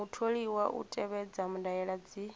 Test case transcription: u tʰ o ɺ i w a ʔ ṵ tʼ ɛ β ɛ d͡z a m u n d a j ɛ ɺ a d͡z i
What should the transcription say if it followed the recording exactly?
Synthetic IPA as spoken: u tʰ o ɺ i w a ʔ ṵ tʼ ɛ β ɛ d͡z a m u n d a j ɛ ɺ a d͡z i

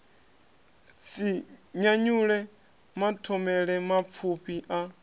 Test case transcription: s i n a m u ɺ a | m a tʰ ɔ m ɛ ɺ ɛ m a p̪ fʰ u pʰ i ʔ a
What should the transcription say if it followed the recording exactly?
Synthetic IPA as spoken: s i ɲ a ɲ u ɺ ɛ | m a tʰ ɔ m ɛ ɺ ɛ m a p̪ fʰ u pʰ i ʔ a

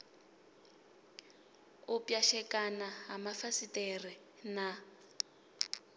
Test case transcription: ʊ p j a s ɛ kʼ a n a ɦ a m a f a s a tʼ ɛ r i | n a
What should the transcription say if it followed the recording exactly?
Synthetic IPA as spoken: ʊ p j a ʃ ɛ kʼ a n a ɦ a m a f a s i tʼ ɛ r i | n a

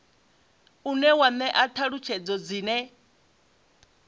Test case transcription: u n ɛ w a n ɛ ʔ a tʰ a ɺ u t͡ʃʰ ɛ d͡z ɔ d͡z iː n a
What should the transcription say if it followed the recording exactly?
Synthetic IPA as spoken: u n ɛ w a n ɛ ʔ a tʰ a ɺ u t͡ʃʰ ɛ d͡z ɔ d͡z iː n ɛ

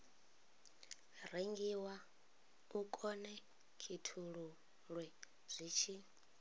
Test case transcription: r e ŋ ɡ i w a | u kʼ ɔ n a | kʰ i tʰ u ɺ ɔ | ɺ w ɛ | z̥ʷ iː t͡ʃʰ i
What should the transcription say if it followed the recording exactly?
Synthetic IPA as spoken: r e ŋ ɡ i w a | u kʼ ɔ n ɛ | kʰ i tʰ u ɺ u | ɺ w ɛ | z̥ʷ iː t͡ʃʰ i

